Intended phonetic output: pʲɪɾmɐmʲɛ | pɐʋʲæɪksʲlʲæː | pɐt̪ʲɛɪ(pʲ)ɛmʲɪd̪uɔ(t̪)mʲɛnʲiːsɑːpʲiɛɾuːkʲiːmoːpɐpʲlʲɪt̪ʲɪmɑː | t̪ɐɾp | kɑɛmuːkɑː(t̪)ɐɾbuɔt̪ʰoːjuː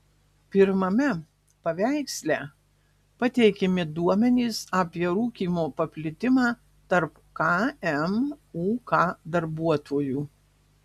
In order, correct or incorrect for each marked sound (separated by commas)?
incorrect, incorrect, incorrect